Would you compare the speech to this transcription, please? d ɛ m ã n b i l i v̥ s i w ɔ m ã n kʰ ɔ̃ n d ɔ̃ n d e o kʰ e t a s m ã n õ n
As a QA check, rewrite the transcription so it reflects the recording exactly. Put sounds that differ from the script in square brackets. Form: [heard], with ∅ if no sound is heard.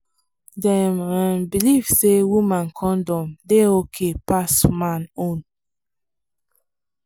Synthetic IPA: d ɛ m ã n b i l i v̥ s [e] w [u] m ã n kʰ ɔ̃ n d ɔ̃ [m] d e o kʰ e [p] a s m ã n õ n